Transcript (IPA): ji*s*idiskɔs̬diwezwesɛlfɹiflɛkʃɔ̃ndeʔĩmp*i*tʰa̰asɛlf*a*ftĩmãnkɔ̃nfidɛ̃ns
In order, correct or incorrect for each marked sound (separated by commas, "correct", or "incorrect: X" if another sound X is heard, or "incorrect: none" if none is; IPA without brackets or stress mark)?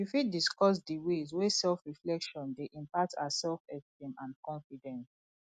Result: incorrect: f, incorrect: a, incorrect: ɛ